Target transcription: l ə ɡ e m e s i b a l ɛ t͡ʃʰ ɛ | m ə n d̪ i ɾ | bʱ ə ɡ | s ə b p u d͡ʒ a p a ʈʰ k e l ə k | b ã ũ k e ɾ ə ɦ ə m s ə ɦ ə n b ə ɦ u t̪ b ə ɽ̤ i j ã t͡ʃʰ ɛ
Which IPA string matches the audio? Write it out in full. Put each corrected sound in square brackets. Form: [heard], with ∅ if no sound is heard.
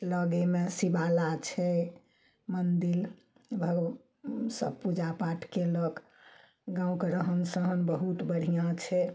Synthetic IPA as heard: l ə ɡ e m e s i b a l [a] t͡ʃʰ ɛ | m ə n d̪ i [l] | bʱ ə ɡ | s ə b p u d͡ʒ a p a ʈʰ k e l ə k | [ɡ] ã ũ k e ɾ ə ɦ ə [n] s ə ɦ ə n b ə ɦ u t̪ b ə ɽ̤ i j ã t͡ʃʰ ɛ